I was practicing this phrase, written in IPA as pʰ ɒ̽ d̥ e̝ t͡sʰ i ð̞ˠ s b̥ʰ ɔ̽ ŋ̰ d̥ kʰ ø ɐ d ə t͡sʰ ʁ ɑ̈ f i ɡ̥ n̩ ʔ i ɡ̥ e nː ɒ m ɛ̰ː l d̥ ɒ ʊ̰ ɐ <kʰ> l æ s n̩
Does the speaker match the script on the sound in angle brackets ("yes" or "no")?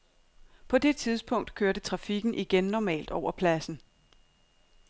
no